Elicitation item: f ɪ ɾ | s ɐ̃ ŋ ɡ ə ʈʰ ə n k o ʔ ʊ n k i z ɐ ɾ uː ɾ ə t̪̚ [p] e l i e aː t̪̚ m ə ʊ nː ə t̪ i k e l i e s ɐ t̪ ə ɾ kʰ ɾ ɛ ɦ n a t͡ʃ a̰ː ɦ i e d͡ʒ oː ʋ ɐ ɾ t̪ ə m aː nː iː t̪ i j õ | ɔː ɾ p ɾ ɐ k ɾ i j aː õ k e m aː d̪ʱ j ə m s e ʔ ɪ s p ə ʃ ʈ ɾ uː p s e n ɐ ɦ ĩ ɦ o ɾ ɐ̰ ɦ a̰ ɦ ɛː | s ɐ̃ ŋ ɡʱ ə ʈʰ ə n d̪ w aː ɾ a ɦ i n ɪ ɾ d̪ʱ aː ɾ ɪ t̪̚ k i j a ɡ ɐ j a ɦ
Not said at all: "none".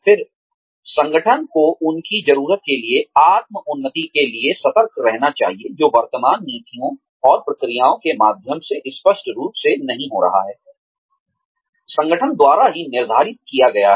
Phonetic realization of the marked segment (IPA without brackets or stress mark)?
k